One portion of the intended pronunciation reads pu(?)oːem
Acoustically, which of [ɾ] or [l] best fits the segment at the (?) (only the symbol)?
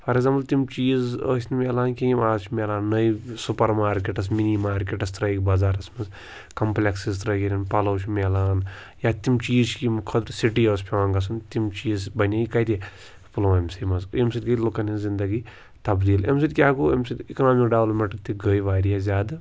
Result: l